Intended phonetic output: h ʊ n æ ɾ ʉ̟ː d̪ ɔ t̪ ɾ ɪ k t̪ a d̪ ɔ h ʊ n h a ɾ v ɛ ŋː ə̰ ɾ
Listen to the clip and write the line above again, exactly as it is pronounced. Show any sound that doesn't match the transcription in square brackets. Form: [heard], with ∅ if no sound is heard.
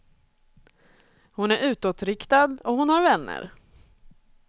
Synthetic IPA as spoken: h ʊ n æ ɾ ʉ̟ː [t̪] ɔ t̪ ɾ ɪ k t̪ a d̪ ɔ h ʊ n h a ɾ v ɛ [nː] ə̰ ɾ